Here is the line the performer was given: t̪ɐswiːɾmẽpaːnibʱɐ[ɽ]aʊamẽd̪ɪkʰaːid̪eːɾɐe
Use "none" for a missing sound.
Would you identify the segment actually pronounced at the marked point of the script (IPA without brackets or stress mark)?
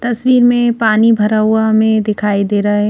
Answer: ɾ